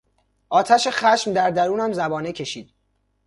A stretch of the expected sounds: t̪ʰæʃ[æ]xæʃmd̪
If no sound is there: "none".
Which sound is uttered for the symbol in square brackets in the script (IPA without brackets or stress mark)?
e